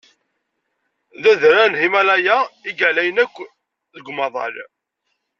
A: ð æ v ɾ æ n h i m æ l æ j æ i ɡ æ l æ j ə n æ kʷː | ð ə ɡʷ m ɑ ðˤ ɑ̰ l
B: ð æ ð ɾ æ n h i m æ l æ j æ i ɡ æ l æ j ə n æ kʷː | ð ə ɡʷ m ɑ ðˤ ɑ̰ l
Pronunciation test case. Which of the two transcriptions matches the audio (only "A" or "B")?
B